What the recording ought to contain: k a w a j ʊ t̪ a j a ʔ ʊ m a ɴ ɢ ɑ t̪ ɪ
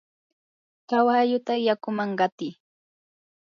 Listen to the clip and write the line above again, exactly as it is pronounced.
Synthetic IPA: k a w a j ʊ t̪ a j a k ʊ m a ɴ ɢ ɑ t̪ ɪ

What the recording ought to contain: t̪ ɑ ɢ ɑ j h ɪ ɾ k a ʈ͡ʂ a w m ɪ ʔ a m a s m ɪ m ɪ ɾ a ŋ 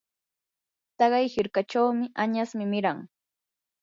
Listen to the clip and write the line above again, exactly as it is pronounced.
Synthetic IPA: t̪ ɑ ɢ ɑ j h ɪ ɾ k a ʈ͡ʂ a w m ɪ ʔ a ɲ a s m ɪ m ɪ ɾ a ŋ

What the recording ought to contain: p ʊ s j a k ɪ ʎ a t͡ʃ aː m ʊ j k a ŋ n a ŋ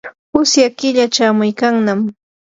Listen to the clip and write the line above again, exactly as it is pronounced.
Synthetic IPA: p ʊ s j a k ɪ ʎ a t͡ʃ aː m ʊ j k a ŋ n a m

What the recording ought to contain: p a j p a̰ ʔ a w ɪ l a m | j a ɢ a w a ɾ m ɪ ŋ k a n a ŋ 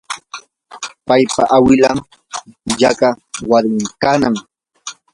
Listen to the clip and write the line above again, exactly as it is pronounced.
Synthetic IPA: p a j p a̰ ʔ a w ɪ l a m | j a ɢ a w a ɾ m ɪ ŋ k a n a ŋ

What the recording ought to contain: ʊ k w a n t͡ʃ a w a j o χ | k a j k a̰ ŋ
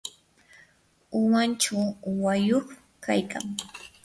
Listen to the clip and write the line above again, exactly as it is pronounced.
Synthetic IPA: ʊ w a n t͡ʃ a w a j o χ | k a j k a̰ ŋ

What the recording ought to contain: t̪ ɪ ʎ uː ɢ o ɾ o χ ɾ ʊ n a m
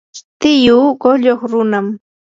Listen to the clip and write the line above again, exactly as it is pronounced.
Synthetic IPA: t̪ ɪ j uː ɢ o ʎ o χ ɾ ʊ n a m

